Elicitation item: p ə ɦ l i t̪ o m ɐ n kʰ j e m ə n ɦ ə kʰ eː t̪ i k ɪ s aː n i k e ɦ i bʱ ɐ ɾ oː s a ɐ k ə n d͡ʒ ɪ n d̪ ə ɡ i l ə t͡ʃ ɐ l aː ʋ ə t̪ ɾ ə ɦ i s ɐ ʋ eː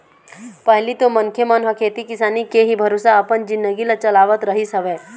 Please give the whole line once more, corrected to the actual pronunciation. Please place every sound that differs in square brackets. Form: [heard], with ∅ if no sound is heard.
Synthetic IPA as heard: p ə ɦ l i t̪ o m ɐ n kʰ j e m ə n ɦ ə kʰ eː t̪ i k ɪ s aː n i k e ɦ i bʱ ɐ ɾ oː s a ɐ [p] ə n d͡ʒ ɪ n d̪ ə ɡ i l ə t͡ʃ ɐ l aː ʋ ə t̪ ɾ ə ɦ i s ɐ ʋ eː